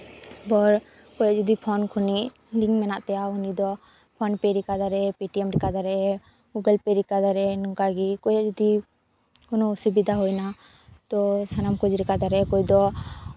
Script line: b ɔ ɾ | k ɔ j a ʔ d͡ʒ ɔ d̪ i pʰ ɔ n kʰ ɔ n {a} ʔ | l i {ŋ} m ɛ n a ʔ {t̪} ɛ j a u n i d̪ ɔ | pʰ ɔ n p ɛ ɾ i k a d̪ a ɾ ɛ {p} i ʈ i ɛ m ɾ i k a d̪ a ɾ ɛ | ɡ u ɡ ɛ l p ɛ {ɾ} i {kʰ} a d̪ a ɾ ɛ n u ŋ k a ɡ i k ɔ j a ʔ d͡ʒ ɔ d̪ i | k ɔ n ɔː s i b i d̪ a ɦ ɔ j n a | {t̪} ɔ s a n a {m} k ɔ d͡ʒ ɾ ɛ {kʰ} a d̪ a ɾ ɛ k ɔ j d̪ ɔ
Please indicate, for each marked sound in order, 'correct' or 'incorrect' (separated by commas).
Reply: incorrect, correct, correct, correct, correct, incorrect, correct, correct, incorrect